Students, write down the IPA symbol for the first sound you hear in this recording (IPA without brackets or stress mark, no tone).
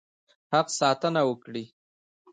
h